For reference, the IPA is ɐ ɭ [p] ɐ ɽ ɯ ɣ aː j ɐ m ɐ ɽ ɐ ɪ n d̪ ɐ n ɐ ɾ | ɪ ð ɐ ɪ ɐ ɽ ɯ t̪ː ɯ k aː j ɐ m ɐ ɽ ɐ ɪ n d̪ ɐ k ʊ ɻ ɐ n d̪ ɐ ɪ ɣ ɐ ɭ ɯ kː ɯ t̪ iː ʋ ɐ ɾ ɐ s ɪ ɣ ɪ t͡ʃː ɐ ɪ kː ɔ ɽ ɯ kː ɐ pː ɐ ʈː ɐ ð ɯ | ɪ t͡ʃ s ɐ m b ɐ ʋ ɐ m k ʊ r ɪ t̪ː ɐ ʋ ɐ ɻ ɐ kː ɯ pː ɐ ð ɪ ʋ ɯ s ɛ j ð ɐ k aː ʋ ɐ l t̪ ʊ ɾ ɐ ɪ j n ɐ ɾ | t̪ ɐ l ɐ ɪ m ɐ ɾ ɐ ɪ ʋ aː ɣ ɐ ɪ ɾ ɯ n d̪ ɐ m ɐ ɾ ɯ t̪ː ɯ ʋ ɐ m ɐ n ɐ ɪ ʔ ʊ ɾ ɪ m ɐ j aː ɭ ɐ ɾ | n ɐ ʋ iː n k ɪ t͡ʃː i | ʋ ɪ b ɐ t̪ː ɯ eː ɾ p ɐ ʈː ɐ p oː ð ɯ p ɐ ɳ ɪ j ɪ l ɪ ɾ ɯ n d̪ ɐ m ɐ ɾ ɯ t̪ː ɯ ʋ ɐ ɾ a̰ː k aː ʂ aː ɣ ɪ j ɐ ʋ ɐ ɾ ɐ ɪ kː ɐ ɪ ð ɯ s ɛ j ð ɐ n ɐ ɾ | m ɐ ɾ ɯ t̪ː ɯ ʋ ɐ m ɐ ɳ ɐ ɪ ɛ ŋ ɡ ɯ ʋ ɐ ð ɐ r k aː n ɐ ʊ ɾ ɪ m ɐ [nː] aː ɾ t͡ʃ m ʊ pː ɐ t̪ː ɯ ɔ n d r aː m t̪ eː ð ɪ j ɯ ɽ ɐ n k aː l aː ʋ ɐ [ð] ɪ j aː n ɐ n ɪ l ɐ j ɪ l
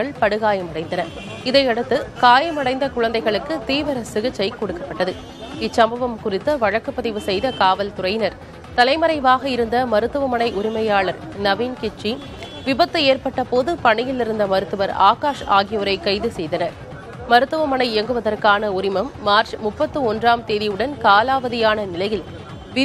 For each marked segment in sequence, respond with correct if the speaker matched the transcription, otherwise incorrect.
correct, incorrect, correct

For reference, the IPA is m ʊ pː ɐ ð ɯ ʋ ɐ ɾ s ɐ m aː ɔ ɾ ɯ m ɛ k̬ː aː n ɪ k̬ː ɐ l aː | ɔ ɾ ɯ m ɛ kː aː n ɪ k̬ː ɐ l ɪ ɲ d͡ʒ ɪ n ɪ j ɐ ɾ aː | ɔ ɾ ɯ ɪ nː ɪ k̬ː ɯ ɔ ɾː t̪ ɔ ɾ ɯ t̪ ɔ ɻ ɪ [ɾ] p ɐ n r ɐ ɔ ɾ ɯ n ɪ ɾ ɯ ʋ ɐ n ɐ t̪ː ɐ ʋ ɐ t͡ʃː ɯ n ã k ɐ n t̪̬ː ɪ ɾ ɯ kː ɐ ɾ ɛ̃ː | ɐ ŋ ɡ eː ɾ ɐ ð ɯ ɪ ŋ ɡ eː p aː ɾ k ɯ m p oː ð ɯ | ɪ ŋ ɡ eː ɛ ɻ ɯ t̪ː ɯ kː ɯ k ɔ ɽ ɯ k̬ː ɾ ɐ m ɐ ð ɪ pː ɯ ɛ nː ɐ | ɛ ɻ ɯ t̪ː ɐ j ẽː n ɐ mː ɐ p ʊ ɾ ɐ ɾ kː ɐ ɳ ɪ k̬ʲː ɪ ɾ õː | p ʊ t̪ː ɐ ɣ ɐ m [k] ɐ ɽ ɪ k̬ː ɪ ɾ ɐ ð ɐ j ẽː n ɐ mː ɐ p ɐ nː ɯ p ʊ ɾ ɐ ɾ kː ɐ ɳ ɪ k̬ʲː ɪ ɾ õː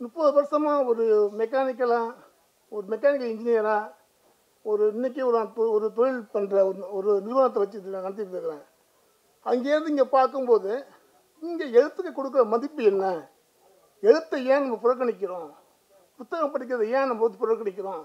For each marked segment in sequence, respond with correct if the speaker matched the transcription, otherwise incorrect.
incorrect, incorrect

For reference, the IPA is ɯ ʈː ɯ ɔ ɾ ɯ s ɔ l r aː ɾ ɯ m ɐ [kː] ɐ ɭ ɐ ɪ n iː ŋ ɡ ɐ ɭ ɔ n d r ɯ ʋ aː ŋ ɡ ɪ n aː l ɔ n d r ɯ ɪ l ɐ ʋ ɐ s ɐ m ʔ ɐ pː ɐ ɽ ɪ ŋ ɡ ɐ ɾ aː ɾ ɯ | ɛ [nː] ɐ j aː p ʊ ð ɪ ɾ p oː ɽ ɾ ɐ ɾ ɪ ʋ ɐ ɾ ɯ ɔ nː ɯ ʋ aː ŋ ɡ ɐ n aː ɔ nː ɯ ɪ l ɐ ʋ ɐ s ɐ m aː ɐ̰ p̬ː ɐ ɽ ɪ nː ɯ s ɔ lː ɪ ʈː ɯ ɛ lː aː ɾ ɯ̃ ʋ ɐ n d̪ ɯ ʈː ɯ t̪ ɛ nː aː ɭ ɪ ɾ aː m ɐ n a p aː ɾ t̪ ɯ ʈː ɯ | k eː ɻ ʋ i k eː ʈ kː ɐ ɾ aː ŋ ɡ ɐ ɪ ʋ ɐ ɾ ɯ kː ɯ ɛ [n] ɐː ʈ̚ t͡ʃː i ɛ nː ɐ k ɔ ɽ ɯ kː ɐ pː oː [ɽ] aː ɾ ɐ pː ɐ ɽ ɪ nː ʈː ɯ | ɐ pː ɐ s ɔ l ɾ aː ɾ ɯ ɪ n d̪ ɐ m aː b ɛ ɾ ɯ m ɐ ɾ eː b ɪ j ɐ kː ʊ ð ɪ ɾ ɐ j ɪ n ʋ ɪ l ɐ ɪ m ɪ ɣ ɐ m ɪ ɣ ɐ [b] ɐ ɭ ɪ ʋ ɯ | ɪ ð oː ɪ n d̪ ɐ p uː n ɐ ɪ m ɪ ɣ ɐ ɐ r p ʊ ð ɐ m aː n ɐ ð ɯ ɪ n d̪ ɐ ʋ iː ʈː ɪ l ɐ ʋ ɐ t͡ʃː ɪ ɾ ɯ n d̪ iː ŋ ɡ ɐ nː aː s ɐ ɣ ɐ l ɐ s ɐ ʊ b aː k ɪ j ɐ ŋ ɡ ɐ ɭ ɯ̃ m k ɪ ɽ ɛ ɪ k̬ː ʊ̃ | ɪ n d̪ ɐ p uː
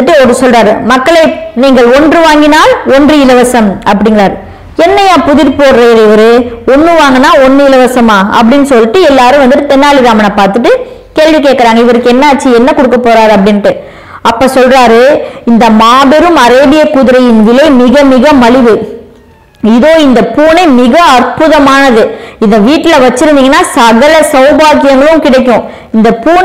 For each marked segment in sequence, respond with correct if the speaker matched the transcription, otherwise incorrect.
correct, correct, incorrect, incorrect, incorrect

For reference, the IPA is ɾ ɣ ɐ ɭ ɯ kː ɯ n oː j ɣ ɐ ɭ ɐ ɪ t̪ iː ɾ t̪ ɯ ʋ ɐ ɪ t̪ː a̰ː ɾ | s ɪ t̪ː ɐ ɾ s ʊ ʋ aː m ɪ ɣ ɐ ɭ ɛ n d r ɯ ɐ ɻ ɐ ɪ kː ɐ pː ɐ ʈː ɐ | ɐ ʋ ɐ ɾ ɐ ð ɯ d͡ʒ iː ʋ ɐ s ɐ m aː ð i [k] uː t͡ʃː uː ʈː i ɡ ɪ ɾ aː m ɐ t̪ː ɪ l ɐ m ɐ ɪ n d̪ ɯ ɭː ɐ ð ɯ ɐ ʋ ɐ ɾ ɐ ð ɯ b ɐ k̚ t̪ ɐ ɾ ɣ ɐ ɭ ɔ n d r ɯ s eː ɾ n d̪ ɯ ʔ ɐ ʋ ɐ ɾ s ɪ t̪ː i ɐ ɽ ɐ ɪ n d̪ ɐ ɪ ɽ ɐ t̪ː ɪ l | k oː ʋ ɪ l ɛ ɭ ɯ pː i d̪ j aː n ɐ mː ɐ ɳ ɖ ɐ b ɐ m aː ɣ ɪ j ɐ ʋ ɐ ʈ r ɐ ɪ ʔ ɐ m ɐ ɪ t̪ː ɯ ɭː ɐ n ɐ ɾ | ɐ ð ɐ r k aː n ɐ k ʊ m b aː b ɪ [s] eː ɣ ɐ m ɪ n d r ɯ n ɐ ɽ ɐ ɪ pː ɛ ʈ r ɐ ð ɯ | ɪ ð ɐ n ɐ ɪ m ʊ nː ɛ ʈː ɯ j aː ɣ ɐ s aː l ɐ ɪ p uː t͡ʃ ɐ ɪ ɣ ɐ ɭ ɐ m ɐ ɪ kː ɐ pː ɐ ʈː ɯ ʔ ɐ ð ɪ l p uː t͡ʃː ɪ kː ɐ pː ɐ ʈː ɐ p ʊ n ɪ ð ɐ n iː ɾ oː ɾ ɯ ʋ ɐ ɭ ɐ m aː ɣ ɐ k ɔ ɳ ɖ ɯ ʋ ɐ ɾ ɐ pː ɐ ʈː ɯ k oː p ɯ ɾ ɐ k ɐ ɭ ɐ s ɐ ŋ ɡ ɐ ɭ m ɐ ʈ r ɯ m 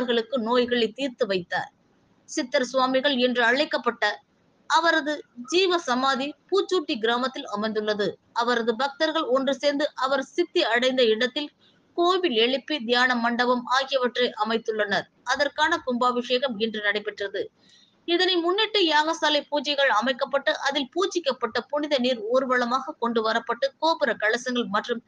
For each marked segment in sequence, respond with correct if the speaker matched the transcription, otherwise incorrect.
incorrect, incorrect

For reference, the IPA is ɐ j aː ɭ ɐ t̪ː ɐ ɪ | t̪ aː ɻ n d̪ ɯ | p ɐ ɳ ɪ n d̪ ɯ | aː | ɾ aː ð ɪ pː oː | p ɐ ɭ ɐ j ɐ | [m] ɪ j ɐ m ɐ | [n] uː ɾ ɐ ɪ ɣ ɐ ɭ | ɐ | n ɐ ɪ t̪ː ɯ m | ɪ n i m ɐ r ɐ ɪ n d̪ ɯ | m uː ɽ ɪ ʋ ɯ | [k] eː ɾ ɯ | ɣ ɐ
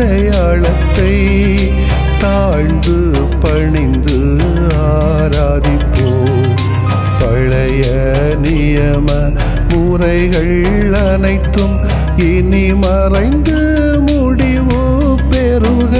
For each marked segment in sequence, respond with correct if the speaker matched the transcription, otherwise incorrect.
incorrect, incorrect, incorrect

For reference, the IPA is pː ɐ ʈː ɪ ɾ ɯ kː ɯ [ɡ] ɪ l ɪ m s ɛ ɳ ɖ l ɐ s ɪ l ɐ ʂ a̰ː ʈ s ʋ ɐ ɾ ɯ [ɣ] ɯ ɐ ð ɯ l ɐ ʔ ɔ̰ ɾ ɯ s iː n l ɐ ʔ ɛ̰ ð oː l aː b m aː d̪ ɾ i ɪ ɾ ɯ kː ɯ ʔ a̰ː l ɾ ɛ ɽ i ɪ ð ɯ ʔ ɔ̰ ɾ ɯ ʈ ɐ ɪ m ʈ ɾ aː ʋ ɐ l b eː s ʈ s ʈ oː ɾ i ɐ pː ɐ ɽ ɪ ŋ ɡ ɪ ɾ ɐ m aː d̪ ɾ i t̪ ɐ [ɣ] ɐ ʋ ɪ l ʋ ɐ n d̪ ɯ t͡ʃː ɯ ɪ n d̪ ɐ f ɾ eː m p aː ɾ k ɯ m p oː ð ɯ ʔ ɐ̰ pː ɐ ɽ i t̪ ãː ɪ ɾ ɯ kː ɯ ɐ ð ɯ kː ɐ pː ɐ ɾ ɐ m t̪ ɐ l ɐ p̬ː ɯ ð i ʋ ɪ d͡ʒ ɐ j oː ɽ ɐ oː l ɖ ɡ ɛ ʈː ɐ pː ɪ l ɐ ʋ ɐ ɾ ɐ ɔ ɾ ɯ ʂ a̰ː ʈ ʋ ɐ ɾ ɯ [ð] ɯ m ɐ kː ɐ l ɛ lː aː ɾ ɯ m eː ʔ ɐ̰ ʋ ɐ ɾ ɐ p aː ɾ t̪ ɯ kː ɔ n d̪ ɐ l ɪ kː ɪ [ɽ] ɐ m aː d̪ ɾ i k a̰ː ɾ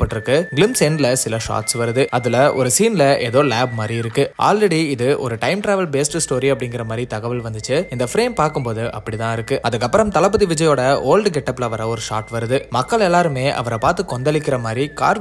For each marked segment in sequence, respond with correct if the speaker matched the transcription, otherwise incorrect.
correct, incorrect, correct, correct, incorrect

